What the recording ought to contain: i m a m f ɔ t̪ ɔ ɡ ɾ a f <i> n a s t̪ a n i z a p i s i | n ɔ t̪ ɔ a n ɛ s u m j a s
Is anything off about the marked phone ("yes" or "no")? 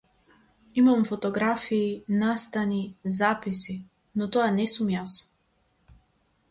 yes